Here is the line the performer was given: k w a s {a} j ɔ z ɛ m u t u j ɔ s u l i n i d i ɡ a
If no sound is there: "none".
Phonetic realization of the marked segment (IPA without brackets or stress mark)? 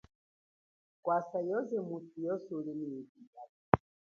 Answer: a